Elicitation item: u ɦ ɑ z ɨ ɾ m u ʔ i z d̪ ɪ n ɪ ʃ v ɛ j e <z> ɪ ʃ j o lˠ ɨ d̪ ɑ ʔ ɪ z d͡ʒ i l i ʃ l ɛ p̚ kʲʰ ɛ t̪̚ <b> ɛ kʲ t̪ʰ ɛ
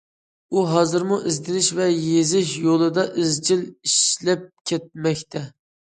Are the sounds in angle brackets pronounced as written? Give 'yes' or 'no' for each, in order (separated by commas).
yes, no